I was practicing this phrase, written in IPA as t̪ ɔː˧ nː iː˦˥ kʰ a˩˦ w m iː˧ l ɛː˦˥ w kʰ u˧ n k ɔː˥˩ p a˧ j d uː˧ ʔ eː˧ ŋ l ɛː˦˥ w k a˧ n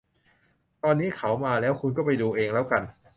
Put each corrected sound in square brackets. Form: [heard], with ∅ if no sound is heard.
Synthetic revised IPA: t̪ ɔː˧ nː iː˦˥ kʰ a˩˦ w m [aː˧] l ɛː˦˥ w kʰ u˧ n k ɔː˥˩ p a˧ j d uː˧ ʔ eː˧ ŋ l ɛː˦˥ w k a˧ n